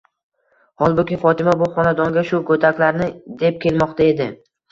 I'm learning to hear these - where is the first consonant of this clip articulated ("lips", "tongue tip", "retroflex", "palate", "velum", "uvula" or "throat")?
throat